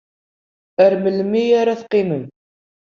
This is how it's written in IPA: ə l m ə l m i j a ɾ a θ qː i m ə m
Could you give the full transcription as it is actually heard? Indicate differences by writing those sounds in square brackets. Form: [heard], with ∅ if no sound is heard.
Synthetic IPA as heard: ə [ɾ] m ə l m i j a ɾ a θ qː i m ə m